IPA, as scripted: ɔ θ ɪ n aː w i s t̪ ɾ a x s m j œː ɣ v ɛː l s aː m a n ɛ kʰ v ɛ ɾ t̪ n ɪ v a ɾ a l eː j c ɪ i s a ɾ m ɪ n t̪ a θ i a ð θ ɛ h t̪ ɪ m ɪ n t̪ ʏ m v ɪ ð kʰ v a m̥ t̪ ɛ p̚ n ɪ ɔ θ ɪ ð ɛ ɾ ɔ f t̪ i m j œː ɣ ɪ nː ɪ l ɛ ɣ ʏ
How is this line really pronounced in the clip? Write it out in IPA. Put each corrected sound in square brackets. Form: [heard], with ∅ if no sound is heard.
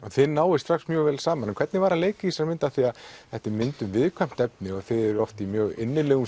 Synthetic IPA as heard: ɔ θ ɪ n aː w [ɪ] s t̪ ɾ a x s m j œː ɣ v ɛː l s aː m a n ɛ kʰ v ɛ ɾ t̪ n ɪ v a ɾ a l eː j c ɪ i s a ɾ m ɪ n t̪ a θ i a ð θ ɛ h t̪ ɪ m ɪ n t̪ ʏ m v ɪ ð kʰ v a m̥ t̪ ɛ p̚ n ɪ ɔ θ ɪ ð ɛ ɾ ɔ f t̪ i m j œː ɣ ɪ nː ɪ l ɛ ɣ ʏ